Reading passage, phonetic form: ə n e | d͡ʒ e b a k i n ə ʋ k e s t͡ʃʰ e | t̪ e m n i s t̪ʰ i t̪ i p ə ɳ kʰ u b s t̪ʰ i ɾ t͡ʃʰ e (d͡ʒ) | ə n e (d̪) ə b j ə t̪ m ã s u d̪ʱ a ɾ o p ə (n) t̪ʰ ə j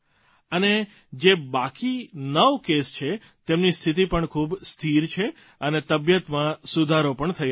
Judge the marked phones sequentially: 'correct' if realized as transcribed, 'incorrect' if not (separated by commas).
incorrect, incorrect, incorrect